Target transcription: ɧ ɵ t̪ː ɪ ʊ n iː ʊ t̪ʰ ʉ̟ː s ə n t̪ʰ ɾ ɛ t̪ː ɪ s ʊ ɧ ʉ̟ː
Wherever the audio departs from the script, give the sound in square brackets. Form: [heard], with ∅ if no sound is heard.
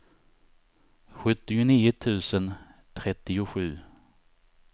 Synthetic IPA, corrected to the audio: ɧ ɵ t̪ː ɪ ʊ n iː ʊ t̪ʰ ʉ̟ː s ə n t̪ʰ ɾ ɛ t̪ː ɪ [∅] ʊ ɧ ʉ̟ː